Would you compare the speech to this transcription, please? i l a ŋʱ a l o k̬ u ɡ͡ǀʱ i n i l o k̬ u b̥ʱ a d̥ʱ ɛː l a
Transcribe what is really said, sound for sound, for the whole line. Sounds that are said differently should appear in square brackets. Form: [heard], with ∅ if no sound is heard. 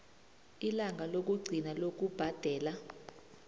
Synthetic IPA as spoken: i l a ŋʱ a l o k̬ u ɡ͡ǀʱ i n [a] l o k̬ u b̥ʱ a d̥ʱ ɛː l a